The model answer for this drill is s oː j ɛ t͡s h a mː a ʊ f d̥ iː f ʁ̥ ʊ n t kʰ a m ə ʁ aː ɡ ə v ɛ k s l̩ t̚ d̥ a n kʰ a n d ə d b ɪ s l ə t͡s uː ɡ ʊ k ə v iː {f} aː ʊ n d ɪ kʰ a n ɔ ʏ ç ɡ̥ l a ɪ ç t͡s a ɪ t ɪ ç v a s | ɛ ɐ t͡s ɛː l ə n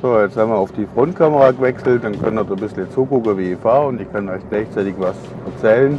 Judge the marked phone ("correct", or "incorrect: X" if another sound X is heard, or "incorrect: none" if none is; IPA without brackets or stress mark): correct